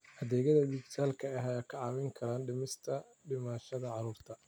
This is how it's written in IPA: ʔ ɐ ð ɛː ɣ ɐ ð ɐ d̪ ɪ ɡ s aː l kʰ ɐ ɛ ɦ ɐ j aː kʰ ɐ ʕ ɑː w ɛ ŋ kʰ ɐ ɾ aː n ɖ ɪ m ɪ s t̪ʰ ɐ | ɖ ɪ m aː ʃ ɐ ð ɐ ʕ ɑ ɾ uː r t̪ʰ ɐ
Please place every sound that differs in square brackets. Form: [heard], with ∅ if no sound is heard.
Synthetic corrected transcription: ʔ ɐ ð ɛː ɣ ɐ ð ɐ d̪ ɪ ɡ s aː l kʰ ɐ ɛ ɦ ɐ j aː kʰ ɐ ʕ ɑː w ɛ ŋ kʰ ɐ ɾ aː n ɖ ɪ m ɪ s t̪ʰ ɐ | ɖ ɪ m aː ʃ ɐ ð ɐ ʕ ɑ ɾ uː r t̪ʰ ɐ